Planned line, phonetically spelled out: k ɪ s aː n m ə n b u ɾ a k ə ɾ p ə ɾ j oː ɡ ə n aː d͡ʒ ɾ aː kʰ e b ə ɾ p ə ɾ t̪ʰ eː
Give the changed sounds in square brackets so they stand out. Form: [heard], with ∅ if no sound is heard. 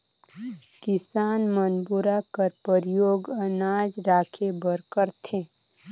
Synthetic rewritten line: k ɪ s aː n m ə n b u ɾ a k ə ɾ p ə ɾ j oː ɡ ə n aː d͡ʒ ɾ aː kʰ e b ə ɾ [k] ə ɾ t̪ʰ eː